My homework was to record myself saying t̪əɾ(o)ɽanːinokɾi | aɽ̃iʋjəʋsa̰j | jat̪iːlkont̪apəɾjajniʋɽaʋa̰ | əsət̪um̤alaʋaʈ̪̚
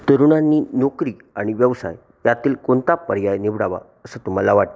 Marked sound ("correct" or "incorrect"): incorrect